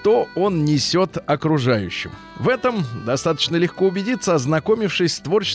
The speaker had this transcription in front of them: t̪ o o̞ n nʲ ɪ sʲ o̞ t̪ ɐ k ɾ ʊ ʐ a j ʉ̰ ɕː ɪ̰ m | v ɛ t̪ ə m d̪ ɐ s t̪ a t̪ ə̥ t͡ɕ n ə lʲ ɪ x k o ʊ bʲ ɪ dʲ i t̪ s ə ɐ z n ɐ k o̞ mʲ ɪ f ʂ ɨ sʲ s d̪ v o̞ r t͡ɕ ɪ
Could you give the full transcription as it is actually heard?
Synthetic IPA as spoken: t̪ o o̞ n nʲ ɪ sʲ o̞ t̪ ɐ k ɾ ʊ ʐ a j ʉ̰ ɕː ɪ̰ m | v ɛ t̪ ə m d̪ ɐ s t̪ a t̪ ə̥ t͡ɕ n ə lʲ ɪ x k o ʊ bʲ ɪ dʲ i t̪ s ə ɐ z n ɐ k o̞ mʲ ɪ f ʂ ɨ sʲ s t̪ v o̞ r t͡ɕ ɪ